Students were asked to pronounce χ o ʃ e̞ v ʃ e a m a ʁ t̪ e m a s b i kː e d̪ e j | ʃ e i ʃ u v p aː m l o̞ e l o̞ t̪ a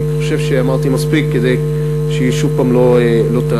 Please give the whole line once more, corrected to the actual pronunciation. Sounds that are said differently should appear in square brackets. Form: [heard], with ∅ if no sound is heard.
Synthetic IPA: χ o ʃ e̞ v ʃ e a m a ʁ t̪ [i] m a s [p] i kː e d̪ e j | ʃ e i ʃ u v p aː m l o̞ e l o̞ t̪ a